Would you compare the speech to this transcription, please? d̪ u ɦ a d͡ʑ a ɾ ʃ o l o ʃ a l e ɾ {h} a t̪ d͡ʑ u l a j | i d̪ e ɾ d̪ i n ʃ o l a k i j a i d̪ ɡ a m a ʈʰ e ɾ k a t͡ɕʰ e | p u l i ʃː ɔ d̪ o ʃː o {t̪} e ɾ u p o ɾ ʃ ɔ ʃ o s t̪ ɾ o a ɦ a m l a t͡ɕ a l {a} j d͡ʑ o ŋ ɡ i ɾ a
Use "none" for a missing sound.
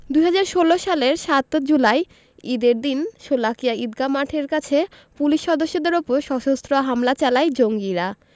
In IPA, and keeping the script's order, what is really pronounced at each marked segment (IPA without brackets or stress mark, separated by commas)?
ʃ, d̪, a